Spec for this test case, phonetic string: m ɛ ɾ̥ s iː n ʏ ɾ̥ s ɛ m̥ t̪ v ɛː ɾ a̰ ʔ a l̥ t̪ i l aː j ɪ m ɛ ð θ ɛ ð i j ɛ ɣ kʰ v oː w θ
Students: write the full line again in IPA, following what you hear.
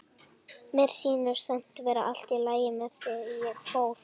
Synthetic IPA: m ɛ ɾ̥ s iː n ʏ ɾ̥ s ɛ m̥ t̪ v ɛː ɾ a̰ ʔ a l̥ t̪ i l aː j ɪ m ɛ ð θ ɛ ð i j ɛ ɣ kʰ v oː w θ